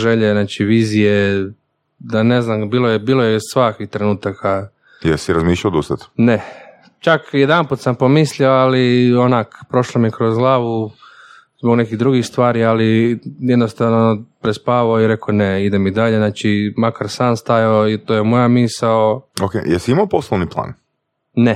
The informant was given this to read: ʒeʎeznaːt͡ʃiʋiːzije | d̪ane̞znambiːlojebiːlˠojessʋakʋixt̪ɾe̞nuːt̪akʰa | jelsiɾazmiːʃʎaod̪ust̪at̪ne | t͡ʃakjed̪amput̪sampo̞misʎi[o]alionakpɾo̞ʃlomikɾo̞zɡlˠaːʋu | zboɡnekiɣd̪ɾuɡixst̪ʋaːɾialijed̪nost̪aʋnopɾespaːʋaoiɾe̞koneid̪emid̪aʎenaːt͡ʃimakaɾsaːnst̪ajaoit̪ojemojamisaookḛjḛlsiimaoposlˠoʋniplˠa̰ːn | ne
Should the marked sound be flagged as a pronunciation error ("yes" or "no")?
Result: no